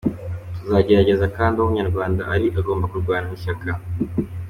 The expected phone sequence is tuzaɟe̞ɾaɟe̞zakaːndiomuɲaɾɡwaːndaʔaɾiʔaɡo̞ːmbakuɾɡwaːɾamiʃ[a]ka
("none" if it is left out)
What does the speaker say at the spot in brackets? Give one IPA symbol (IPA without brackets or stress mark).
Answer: a